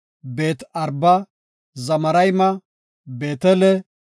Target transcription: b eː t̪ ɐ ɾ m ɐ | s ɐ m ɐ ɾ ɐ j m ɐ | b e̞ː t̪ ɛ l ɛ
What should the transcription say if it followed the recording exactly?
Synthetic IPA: b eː t̪ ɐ ɾ b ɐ | z ɐ m ɐ ɾ ɐ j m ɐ | b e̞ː t̪ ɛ l ɛ